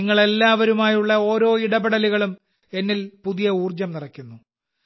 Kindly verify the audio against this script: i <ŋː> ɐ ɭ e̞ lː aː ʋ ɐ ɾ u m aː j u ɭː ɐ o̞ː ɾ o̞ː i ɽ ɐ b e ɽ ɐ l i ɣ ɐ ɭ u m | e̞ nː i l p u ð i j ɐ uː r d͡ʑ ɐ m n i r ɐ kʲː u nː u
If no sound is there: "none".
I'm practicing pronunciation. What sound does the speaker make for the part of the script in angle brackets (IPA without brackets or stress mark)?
ŋː